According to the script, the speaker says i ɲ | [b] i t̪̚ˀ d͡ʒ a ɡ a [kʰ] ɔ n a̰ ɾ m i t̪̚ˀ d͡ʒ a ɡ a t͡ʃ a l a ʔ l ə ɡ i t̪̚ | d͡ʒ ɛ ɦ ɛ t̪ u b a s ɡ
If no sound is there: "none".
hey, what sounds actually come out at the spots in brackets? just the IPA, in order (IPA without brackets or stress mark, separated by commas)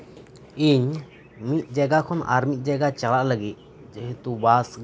m, kʰ